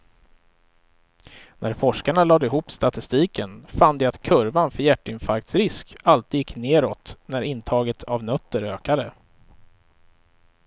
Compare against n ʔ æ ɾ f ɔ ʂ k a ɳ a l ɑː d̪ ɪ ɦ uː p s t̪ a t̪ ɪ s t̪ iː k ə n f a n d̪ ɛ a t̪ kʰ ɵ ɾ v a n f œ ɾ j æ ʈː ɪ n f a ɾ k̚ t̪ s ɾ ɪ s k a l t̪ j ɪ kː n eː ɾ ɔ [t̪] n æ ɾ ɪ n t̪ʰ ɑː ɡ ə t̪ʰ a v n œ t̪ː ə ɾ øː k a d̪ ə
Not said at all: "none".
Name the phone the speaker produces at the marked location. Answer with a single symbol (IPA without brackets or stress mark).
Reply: t̪